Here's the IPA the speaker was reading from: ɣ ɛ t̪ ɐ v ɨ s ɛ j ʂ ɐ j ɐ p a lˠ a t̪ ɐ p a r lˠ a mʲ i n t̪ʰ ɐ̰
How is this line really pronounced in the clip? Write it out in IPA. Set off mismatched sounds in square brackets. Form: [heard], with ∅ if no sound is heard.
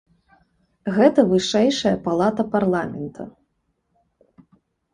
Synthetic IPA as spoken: ɣ ɛ t̪ ɐ v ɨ [ʂ] ɛ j ʂ ɐ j ɐ p a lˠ a t̪ ɐ p a r lˠ a mʲ [ɛ] n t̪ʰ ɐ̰